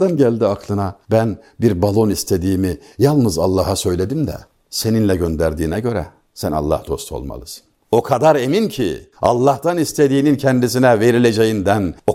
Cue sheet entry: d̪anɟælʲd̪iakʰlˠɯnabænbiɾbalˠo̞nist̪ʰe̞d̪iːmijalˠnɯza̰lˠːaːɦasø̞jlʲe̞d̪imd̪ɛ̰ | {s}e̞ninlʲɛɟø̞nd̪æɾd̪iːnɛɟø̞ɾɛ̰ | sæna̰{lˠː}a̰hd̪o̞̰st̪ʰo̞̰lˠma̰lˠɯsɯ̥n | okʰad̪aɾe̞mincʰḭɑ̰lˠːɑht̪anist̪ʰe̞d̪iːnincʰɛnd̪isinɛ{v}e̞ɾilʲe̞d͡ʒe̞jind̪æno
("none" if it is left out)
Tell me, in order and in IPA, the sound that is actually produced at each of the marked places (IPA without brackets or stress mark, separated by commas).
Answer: s, lˠː, v